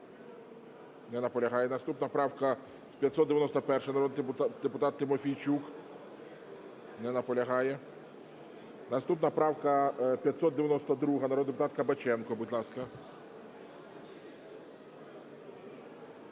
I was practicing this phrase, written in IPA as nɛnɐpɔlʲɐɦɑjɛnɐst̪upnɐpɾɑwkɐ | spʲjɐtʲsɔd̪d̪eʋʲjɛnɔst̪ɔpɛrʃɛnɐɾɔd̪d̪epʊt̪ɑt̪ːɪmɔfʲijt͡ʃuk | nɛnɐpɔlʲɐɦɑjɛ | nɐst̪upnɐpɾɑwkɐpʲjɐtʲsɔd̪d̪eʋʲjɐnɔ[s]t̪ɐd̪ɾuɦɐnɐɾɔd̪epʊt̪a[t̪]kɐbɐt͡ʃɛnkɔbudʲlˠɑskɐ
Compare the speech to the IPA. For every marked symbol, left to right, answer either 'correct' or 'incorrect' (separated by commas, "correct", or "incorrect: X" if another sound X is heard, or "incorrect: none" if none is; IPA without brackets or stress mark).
correct, correct